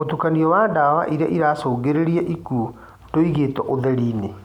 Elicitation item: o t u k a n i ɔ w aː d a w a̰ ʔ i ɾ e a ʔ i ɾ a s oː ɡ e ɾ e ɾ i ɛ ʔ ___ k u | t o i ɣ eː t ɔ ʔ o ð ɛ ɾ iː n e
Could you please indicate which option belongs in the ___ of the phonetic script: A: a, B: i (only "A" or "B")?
B